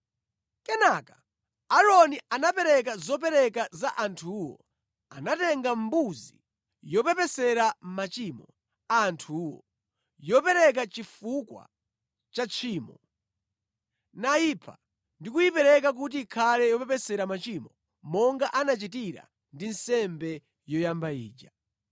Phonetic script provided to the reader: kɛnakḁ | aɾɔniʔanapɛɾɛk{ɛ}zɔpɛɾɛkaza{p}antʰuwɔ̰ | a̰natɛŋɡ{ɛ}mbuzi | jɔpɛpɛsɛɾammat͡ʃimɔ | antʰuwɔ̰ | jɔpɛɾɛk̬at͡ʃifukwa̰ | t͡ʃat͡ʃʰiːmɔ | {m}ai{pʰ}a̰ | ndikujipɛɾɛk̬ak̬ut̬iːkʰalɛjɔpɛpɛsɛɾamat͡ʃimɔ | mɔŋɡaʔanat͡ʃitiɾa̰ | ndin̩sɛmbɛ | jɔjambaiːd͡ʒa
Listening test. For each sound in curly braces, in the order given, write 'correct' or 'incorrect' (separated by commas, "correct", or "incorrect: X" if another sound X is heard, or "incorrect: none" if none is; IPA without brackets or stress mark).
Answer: incorrect: a, incorrect: ʔ, incorrect: a, incorrect: n, correct